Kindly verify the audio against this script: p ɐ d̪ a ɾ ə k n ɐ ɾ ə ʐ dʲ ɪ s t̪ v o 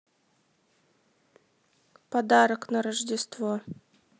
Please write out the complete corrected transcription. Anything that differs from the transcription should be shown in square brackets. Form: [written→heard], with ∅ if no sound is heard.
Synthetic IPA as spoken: p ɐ d̪ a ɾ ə k n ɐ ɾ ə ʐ dʲ ɪ s t̪ v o